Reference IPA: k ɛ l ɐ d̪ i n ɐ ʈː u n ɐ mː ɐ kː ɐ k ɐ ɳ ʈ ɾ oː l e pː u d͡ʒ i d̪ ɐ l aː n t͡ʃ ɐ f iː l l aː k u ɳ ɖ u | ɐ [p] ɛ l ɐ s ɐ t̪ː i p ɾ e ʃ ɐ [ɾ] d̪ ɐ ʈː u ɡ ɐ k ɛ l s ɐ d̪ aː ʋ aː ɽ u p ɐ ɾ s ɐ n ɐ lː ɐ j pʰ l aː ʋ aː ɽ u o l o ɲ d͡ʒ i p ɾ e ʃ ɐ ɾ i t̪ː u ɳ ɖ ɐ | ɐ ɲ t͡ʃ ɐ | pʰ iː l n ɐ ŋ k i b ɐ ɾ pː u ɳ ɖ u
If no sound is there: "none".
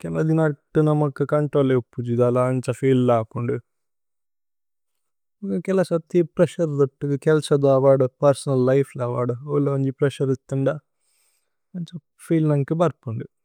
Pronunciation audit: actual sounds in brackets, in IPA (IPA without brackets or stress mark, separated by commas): k, ɾ